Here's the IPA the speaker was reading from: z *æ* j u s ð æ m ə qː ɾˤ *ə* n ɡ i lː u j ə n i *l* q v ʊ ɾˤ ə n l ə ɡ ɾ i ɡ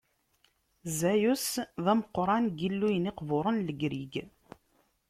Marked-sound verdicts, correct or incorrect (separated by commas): correct, incorrect, incorrect